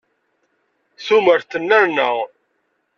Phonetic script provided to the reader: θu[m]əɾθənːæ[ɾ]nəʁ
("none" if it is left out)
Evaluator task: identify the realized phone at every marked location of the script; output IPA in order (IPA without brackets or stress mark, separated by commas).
m, ɾ